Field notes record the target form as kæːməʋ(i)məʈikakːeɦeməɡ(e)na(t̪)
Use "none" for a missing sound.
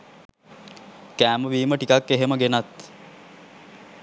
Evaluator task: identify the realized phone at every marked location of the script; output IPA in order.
iː, e, t̪

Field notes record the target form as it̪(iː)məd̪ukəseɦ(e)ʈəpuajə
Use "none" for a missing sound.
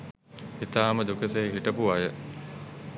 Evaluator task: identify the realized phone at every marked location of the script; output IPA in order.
aː, i

